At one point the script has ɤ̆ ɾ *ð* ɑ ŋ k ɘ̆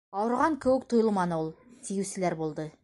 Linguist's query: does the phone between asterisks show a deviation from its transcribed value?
yes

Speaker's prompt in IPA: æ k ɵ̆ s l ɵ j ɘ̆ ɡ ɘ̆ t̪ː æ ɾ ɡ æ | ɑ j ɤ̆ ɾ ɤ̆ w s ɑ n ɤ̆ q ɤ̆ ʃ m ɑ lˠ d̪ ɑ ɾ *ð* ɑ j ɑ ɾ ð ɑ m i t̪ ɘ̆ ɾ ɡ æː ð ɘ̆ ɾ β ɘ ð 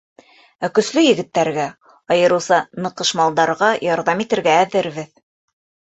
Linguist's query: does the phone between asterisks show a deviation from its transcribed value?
yes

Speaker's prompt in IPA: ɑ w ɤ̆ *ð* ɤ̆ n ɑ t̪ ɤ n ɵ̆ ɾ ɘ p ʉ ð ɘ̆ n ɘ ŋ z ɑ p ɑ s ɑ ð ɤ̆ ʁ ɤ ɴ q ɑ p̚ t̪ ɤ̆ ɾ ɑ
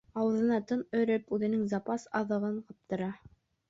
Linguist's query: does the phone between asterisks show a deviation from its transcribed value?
no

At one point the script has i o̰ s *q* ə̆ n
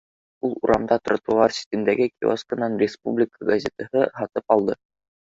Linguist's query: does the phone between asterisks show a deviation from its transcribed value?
yes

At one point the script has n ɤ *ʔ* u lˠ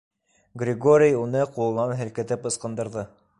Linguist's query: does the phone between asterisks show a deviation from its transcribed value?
yes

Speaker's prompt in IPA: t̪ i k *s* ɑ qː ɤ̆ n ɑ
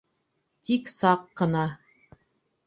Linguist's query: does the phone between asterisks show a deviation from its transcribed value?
no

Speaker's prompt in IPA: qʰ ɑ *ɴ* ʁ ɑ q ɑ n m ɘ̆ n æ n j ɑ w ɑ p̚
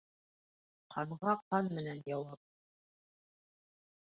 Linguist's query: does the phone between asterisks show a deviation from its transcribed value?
no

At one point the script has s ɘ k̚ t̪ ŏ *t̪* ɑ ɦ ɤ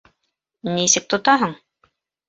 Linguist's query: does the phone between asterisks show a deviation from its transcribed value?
no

